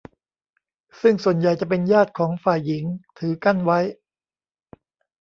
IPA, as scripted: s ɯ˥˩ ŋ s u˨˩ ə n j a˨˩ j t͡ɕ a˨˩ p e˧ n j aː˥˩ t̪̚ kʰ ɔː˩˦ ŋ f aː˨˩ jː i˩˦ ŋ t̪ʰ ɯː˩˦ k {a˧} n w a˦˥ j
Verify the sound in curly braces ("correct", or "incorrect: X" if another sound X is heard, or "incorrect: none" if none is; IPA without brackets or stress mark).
incorrect: a˥˩